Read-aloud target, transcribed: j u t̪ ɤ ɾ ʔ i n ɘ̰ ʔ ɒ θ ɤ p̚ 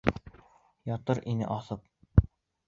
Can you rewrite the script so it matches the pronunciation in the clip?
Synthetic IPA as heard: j ɒ t̪ ɤ ɾ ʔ i n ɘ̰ ʔ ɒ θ ɤ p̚